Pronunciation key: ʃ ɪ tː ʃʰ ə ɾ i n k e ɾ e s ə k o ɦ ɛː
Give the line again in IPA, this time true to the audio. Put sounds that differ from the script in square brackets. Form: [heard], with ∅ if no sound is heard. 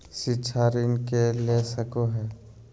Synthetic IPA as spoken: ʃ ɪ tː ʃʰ [a] ɾ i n k e [l] e s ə k o ɦ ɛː